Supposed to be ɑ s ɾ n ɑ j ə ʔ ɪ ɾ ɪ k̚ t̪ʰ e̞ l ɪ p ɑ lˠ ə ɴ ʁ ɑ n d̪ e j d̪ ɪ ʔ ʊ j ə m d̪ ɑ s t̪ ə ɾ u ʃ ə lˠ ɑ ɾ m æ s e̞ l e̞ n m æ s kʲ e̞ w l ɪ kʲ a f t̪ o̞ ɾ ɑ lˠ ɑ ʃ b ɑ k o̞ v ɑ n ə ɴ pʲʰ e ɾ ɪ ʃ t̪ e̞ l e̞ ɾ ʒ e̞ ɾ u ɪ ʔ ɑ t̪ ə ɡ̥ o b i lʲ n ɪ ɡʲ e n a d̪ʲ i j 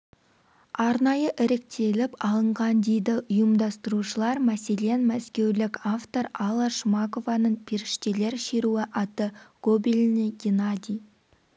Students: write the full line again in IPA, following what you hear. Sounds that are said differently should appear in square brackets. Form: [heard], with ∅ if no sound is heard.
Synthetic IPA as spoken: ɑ [∅] ɾ n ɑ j ə ʔ ɪ ɾ ɪ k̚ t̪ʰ e̞ l ɪ p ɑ lˠ ə ɴ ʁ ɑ n d̪ e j d̪ ɪ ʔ ʊ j ə m d̪ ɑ s t̪ ə ɾ u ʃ ə lˠ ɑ ɾ m æ s e̞ l e̞ n m æ s kʲ e̞ w l ɪ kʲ a f t̪ o̞ ɾ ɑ lˠ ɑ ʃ [m] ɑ k o̞ v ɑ n ə ɴ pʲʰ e ɾ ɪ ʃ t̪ e̞ l e̞ ɾ [ʃ] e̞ ɾ u ɪ ʔ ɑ t̪ ə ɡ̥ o b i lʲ n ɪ ɡʲ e n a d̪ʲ i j